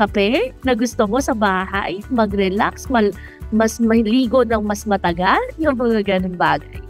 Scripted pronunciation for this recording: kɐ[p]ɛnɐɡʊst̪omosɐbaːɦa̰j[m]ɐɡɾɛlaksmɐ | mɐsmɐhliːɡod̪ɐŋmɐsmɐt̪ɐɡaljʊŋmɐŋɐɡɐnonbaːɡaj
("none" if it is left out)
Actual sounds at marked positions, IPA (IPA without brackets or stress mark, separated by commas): p, m